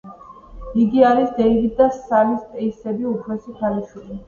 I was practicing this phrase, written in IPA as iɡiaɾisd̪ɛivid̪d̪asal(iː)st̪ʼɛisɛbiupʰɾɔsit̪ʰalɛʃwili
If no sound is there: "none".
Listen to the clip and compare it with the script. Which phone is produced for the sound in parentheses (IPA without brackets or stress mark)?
i